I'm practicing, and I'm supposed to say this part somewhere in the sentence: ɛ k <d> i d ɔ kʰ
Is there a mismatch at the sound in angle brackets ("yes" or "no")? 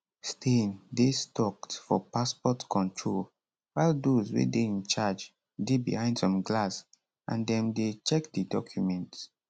no